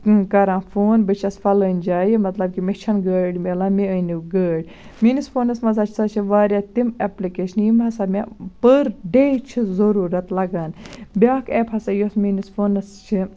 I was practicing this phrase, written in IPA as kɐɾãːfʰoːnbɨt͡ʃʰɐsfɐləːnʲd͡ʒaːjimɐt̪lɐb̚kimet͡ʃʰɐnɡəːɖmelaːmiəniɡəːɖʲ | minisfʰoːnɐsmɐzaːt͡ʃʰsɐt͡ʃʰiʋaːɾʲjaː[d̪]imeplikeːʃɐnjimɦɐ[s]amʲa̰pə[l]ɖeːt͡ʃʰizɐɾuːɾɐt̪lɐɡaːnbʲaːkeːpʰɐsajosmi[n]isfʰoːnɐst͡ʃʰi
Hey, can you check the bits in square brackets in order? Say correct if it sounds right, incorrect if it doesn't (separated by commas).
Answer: incorrect, correct, incorrect, correct